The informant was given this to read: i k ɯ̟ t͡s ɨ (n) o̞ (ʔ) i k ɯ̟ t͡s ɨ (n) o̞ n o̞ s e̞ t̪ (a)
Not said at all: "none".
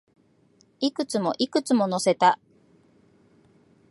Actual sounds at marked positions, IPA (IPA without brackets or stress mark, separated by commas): m, ʔ, m, a